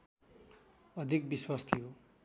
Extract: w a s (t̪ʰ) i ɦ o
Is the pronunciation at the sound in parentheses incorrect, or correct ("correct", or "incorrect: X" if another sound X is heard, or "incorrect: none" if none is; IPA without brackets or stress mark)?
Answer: correct